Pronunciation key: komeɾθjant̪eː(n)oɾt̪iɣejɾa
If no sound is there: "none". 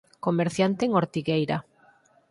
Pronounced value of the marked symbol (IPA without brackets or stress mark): ŋ